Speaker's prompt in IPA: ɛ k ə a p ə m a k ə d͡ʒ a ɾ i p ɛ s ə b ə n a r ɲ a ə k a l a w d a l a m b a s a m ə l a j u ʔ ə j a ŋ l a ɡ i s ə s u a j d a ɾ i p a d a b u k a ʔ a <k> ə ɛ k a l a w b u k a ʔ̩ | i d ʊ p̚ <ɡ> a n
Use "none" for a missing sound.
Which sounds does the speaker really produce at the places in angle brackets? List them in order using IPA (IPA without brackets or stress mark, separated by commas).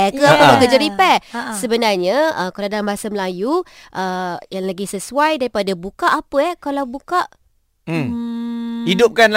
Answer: p, k